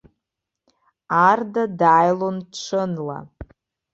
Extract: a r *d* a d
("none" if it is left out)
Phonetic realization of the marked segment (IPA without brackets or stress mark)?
d